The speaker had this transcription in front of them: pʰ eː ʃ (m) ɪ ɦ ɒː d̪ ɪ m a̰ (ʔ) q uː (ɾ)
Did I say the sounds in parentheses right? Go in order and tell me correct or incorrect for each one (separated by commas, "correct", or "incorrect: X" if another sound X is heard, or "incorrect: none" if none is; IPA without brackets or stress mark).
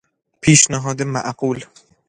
incorrect: n, correct, incorrect: l